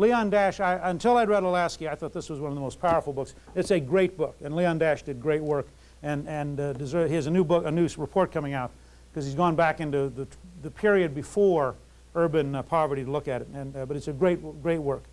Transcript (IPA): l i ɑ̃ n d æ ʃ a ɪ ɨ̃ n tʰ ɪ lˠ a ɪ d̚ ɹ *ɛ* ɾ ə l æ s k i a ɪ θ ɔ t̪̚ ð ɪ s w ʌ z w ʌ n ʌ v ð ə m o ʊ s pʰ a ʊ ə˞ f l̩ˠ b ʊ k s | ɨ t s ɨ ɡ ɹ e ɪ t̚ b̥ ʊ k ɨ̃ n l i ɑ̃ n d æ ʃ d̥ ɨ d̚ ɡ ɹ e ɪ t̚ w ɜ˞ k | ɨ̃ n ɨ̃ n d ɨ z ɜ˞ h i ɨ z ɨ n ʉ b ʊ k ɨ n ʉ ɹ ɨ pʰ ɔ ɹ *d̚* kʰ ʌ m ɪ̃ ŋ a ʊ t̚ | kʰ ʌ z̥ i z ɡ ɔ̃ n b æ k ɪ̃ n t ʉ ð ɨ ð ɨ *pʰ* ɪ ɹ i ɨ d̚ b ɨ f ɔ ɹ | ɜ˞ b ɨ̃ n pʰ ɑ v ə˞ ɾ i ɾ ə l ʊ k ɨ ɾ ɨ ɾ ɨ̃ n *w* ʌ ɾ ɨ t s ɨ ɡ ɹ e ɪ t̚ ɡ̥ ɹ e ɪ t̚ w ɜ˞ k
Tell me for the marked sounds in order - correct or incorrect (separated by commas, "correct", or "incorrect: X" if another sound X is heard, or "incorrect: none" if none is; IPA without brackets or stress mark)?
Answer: correct, incorrect: t̚, correct, incorrect: b